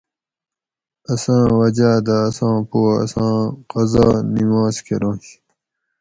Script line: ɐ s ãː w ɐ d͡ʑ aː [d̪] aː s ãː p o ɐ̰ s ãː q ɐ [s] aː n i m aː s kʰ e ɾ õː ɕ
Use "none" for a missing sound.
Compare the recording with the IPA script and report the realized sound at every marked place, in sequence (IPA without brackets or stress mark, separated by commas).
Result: d̪, z